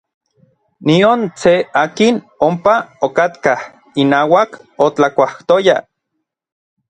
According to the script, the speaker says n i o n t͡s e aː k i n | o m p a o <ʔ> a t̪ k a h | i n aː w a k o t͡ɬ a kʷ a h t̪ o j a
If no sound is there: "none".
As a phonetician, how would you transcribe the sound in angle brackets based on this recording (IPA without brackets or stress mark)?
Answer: k